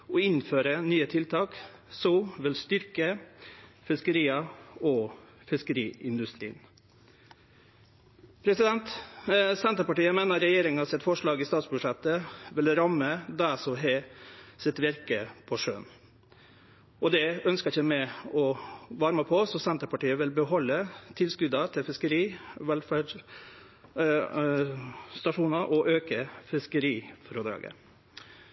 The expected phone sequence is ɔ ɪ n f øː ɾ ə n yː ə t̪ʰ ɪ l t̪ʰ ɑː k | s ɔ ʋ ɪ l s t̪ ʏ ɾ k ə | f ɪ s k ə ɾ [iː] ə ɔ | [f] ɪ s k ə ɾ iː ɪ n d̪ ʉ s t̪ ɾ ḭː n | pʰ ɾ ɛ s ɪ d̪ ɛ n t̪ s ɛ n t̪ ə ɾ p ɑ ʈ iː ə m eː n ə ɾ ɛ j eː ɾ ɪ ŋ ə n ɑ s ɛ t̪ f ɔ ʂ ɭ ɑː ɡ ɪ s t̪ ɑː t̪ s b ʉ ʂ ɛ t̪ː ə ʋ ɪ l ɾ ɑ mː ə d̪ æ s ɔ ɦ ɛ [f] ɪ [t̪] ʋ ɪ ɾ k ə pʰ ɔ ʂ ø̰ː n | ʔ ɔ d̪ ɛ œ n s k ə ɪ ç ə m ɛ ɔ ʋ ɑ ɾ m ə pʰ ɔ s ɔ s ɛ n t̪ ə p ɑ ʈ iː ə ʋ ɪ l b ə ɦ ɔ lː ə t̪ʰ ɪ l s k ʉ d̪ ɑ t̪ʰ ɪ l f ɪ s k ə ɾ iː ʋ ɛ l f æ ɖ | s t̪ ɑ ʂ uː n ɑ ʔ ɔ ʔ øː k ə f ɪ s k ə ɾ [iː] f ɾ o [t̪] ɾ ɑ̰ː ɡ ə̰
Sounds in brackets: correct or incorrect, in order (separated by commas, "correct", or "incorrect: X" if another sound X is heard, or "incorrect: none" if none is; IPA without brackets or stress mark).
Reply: correct, correct, incorrect: s, correct, correct, incorrect: d̪